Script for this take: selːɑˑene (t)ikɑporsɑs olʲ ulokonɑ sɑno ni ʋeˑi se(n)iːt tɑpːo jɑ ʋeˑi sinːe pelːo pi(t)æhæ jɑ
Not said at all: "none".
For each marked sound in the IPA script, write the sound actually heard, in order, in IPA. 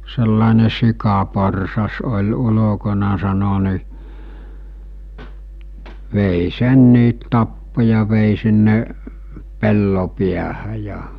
s, nː, none

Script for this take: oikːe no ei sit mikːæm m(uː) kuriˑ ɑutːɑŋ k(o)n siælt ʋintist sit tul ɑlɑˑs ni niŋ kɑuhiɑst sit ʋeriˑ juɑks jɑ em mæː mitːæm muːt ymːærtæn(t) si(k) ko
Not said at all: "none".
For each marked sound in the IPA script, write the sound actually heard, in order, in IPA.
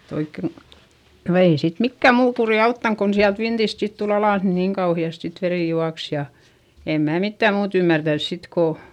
uː, o, s, t

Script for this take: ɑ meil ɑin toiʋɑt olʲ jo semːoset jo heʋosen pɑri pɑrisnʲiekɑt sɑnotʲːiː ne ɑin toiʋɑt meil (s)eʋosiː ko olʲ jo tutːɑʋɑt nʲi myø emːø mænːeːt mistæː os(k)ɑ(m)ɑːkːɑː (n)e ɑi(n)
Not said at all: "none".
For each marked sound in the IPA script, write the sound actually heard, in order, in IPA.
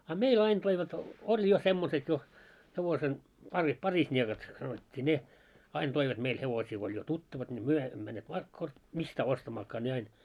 h, t, m, n, n

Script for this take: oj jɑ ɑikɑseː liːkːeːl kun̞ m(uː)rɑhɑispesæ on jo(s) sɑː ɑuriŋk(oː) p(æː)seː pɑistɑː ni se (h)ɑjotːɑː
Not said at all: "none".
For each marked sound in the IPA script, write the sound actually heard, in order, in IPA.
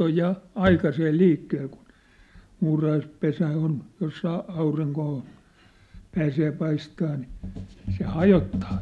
uː, s, oː, æː, h

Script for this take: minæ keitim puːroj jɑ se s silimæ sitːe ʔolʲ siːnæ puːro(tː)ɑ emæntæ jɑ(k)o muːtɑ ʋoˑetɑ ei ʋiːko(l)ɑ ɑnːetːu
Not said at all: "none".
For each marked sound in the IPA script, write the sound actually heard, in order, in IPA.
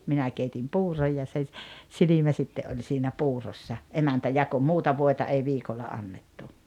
sː, k, lː

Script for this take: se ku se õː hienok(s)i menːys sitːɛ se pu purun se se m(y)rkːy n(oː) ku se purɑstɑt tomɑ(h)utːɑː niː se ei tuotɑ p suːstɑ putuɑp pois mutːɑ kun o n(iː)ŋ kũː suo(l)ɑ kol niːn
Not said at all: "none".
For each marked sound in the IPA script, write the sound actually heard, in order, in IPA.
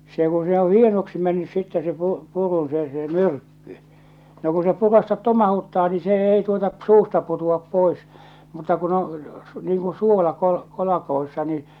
s, y, o, h, iː, l

